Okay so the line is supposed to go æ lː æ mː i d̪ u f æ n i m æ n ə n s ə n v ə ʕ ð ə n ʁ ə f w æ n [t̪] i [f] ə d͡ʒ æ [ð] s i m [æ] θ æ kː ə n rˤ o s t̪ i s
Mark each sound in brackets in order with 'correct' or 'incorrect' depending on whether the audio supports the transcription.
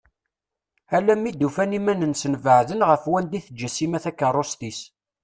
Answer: incorrect, incorrect, incorrect, correct

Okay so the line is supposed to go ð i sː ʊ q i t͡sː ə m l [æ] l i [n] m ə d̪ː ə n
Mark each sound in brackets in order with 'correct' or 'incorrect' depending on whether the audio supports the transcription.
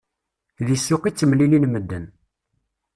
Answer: incorrect, correct

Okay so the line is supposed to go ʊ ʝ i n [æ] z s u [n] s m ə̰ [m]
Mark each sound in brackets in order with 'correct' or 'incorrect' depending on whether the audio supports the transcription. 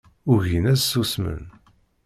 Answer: correct, incorrect, incorrect

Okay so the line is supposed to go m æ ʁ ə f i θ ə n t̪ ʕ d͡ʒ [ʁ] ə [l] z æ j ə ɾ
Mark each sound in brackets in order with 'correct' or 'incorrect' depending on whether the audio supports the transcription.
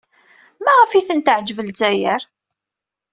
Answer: incorrect, correct

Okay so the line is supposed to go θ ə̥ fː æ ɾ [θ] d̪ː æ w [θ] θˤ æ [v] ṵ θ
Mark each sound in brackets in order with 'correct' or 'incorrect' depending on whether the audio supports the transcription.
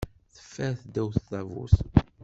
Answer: correct, correct, correct

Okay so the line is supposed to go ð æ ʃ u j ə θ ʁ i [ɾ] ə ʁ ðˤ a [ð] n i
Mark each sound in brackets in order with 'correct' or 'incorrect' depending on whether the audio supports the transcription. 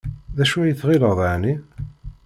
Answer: incorrect, incorrect

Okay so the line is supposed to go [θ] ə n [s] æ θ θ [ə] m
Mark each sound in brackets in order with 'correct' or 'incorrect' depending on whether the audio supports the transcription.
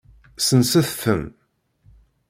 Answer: incorrect, correct, correct

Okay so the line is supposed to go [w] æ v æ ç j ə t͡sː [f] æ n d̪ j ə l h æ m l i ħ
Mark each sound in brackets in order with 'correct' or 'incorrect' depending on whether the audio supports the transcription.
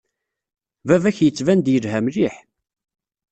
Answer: incorrect, incorrect

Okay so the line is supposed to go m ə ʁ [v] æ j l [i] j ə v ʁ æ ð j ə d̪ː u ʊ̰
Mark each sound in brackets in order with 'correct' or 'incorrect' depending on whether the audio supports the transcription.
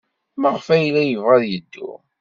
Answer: incorrect, incorrect

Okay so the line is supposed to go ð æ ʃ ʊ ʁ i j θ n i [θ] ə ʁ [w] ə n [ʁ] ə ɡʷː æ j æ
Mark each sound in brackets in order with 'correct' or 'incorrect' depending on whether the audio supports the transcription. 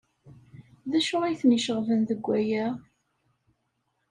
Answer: incorrect, incorrect, incorrect

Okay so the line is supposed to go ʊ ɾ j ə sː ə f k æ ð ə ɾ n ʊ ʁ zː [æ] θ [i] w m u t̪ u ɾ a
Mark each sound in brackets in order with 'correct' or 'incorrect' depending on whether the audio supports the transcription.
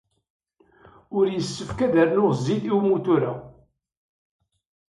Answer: incorrect, correct

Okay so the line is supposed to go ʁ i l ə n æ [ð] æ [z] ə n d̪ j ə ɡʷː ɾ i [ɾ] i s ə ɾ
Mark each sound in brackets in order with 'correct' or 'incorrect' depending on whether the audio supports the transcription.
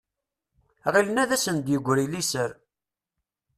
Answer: correct, incorrect, incorrect

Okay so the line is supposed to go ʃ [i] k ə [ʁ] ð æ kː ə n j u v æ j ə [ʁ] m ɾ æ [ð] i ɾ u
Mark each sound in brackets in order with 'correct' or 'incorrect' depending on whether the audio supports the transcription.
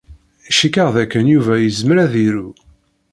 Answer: correct, correct, incorrect, correct

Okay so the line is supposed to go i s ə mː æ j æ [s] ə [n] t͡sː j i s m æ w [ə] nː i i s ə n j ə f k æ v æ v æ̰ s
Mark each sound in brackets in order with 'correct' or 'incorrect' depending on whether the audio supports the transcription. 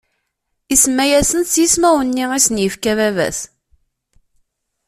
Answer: correct, correct, correct

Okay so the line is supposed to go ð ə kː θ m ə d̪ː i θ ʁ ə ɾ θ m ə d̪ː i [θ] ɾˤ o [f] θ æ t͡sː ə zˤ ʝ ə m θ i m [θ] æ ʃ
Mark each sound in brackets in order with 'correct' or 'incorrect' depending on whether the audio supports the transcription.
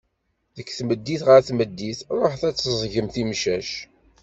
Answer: correct, incorrect, incorrect

